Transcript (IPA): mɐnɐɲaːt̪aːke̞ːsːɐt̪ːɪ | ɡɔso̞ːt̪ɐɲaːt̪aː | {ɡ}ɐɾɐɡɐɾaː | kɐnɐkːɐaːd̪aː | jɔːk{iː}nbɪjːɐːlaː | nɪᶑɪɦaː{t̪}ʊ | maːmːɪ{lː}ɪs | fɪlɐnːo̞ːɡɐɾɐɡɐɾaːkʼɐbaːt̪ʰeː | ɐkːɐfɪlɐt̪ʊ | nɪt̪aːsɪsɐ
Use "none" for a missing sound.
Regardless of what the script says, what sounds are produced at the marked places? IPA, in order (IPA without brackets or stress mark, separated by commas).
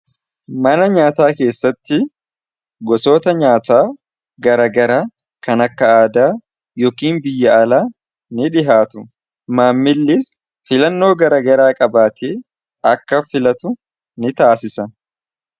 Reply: ɡ, iː, t̪, lː